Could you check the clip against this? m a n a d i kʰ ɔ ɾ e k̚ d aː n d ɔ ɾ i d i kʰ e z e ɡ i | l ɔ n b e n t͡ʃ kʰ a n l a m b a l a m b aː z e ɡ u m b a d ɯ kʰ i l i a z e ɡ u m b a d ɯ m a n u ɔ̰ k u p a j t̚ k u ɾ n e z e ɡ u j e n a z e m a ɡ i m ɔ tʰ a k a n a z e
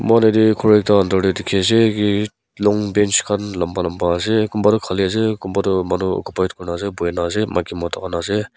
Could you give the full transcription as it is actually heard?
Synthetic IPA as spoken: m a n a d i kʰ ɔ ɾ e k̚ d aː n d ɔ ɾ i d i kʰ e z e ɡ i | l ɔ ŋ b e n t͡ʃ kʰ a n l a m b a l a m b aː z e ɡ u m b a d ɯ kʰ a l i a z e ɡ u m b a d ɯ m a n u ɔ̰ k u p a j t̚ k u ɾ n a z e b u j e n a z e m a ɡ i m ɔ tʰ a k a n a z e

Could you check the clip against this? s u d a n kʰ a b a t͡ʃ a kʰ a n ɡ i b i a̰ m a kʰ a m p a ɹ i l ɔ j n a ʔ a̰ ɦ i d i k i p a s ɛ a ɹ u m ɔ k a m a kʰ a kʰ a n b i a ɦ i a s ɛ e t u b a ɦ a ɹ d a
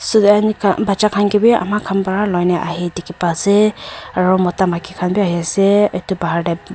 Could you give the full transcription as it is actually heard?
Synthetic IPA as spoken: s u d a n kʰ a b a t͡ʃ a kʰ a n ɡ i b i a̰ m a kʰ a m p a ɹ a l ɔ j n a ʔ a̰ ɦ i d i k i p a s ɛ a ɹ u m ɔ t a m a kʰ i kʰ a n b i a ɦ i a s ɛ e t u b a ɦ a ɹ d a

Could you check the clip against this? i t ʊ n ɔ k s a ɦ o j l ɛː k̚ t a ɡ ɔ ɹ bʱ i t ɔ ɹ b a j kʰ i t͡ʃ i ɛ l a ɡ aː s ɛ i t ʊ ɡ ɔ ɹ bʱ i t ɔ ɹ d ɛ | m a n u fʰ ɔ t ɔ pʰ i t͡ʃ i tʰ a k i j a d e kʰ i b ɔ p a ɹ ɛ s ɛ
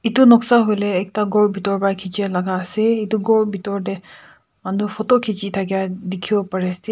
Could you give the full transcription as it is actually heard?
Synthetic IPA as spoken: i t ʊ n ɔ k s a ɦ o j l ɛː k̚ t a ɡ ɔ ɹ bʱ i t ɔ ɹ b a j kʰ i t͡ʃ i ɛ l a ɡ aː s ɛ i t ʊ ɡ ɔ ɹ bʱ i t ɔ ɹ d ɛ | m a n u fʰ ɔ t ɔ kʰ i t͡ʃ i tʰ a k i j a d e kʰ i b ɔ p a ɹ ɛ s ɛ

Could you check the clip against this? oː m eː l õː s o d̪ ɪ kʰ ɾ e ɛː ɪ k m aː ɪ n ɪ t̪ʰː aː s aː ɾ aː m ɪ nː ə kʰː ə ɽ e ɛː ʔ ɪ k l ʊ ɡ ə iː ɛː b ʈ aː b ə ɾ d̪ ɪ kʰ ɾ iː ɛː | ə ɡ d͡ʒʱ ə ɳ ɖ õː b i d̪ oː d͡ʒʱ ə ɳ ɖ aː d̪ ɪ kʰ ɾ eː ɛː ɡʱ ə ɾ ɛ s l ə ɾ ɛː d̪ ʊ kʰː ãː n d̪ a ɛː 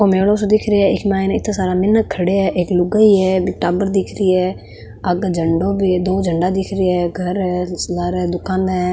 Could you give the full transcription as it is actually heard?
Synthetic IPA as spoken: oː m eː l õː s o d̪ ɪ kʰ ɾ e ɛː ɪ k m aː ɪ n ɪ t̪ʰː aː s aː ɾ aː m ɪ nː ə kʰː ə ɽ e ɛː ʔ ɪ k l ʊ ɡ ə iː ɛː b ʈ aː b ə ɾ d̪ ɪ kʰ ɾ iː ɛː | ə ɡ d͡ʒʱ ə ɳ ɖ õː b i d̪ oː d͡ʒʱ ə ɳ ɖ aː d̪ ɪ kʰ ɾ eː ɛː ɡʱ ə ɾ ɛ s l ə ɾ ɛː d̪ ʊ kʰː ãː n d̪ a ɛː

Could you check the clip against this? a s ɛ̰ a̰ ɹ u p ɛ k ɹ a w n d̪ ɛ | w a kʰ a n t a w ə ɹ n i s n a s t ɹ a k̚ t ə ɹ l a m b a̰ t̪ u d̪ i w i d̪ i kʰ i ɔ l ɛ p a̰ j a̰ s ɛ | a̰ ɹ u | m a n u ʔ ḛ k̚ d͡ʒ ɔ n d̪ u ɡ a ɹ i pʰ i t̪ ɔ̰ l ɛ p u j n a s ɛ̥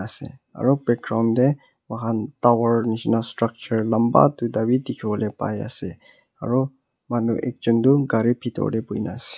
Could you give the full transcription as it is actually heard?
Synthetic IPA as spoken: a s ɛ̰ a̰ ɹ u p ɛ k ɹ a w n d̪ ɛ | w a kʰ a n t a w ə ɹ n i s n a s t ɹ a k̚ t͡ʃ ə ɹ l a m b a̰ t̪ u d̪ a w i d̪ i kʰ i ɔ l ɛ p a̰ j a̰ s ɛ | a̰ ɹ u | m a n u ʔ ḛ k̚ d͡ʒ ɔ n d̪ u ɡ a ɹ i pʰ i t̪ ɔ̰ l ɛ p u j n a s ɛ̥

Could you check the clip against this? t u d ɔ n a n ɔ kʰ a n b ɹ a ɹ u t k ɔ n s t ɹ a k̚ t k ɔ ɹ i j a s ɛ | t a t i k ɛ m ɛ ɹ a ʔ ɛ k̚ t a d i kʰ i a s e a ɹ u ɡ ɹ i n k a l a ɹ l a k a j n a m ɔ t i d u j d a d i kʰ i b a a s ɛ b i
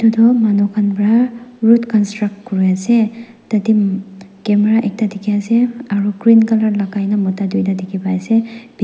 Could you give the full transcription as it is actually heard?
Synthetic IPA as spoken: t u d ɔ m a n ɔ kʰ a n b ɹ a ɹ u t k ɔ n s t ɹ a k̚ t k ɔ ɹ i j a s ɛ | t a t i k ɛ m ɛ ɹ a ʔ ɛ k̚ t a d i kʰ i a s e a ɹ u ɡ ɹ i n k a l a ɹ l a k a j n a m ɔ t a d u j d a d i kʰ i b a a s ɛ b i

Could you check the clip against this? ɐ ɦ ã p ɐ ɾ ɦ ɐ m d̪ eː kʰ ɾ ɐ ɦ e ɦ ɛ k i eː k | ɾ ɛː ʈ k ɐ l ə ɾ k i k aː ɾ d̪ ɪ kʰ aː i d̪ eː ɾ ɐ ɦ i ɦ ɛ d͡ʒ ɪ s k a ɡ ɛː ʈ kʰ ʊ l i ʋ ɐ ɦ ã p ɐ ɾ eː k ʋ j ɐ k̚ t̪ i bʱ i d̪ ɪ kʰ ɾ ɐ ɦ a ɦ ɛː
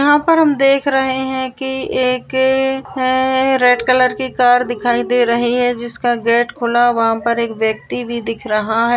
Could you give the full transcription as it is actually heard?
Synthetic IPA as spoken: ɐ ɦ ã p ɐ ɾ ɦ ɐ m d̪ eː kʰ ɾ ɐ ɦ e ɦ ɛ̃ k i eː k | ɾ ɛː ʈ k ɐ l ə ɾ k i k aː ɾ d̪ ɪ kʰ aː i d̪ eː ɾ ɐ ɦ i ɦ ɛ d͡ʒ ɪ s k a ɡ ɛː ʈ kʰ ʊ l a ʋ ɐ ɦ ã p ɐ ɾ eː k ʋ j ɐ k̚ t̪ i bʱ i d̪ ɪ kʰ ɾ ɐ ɦ a ɦ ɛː

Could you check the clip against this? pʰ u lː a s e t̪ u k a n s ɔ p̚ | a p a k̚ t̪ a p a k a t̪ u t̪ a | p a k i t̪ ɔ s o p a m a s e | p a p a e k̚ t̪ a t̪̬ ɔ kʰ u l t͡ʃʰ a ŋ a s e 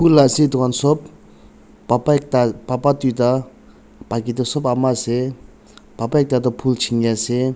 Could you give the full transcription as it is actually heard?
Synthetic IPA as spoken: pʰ u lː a s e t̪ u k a n s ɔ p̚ | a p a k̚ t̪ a p a p a t̪ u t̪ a | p a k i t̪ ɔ s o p a m a s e | p a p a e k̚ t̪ a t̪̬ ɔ pʰ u l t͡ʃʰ i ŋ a s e

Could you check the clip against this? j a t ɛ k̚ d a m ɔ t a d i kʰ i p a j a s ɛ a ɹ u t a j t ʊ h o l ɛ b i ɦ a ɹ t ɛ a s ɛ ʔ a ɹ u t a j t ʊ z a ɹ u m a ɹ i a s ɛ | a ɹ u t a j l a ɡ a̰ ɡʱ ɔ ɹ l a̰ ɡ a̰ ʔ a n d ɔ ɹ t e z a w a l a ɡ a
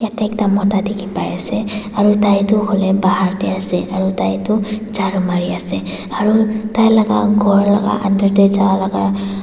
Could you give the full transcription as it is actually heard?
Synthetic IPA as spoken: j a t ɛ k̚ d a m ɔ t a d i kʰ i p a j a s ɛ a ɹ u t a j t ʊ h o l ɛ b a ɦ a ɹ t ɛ a s ɛ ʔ a ɹ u t a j t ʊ z a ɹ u m a ɹ i a s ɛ | a ɹ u t a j l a ɡ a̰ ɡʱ ɔ ɹ l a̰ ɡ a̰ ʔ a n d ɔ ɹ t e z a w a l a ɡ a

